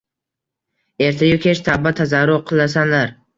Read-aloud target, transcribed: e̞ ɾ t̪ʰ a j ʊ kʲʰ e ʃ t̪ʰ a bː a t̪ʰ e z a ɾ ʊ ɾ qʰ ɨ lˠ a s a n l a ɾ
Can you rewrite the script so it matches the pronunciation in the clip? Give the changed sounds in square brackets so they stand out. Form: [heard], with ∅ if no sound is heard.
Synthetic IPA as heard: e̞ ɾ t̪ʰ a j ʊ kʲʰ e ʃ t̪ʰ a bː a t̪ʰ [a] z a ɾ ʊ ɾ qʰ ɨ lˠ a s a n l a ɾ

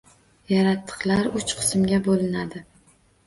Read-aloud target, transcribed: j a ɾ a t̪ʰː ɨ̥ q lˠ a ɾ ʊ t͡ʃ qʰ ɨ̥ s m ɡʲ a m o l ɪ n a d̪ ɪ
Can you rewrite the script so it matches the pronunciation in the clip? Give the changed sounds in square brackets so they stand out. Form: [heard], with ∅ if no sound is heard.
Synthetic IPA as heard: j a ɾ a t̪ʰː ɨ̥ q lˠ a ɾ ʊ t͡ʃ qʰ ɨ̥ s m ɡʲ a [b] o l ɪ n a d̪ ɪ

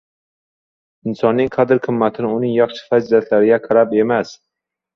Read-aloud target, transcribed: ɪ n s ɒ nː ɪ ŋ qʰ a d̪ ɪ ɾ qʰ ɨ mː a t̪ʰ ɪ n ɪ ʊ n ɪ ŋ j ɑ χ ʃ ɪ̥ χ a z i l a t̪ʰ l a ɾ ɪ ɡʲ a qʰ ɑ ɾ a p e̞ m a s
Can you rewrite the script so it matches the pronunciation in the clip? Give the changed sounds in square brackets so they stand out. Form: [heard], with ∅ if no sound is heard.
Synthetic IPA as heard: ɪ n s ɒ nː ɪ ŋ qʰ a d̪ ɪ ɾ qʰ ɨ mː a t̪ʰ ɪ n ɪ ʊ n ɪ ŋ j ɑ χ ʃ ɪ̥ [f] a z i l a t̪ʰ l a ɾ ɪ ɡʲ a qʰ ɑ ɾ a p e̞ m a s

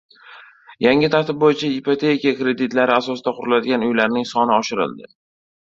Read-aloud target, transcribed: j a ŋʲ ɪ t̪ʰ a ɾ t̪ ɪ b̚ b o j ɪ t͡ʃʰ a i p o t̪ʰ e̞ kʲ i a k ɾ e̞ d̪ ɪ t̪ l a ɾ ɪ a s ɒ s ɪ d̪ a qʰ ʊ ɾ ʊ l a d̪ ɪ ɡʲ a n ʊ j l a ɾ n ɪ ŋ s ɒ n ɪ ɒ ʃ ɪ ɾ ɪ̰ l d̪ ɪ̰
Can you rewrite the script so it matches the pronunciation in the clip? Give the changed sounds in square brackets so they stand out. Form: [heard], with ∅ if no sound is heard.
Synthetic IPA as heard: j a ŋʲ ɪ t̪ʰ a ɾ t̪ ɪ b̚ b o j ɪ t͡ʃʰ a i p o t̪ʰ e̞ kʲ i a k ɾ e̞ d̪ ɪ t̪ l a ɾ ɪ a s ɒ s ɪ d̪ a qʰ ʊ ɾ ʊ l a d̪ ɪ ɡʲ a n ʊ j l a ɾ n ɪ ŋ s ɒ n ɪ ɒ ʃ ɪ ɾ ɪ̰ l d̪ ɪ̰

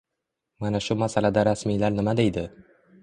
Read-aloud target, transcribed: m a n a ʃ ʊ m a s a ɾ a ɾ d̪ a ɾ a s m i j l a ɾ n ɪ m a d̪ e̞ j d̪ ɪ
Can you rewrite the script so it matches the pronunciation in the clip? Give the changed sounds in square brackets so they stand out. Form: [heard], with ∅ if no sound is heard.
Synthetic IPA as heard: m a n a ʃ ʊ m a s a [l] a [∅] d̪ a ɾ a s m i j l a ɾ n ɪ m a d̪ e̞ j d̪ ɪ

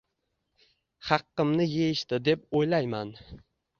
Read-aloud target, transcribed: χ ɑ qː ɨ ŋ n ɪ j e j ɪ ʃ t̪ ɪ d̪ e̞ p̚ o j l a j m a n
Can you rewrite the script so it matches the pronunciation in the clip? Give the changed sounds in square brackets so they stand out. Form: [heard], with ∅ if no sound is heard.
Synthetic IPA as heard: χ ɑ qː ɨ [m] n ɪ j e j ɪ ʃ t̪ ɪ d̪ e̞ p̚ o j l a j m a n

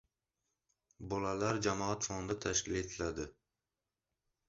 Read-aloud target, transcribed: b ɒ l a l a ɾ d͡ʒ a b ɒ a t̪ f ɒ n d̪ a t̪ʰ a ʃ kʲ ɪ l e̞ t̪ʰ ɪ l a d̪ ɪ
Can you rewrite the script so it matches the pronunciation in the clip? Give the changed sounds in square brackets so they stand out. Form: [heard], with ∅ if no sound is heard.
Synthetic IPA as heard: b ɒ l a l a ɾ d͡ʒ a [m] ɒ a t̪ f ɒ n d̪ a t̪ʰ a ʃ kʲ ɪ l e̞ t̪ʰ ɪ l a d̪ ɪ

